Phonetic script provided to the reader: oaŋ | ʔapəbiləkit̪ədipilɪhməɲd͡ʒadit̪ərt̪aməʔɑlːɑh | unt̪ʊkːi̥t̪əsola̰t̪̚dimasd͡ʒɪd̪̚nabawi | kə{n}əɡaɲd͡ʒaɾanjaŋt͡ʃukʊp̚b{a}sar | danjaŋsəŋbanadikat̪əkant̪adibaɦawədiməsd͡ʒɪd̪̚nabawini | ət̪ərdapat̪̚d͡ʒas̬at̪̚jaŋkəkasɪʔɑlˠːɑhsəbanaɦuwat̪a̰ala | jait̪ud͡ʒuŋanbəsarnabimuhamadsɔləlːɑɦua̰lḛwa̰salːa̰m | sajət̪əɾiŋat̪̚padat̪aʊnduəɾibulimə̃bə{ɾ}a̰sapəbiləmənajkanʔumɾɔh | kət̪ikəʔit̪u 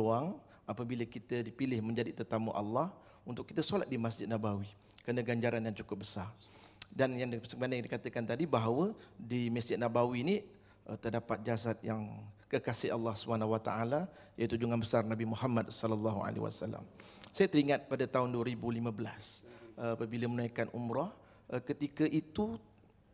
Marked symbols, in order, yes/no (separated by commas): yes, no, no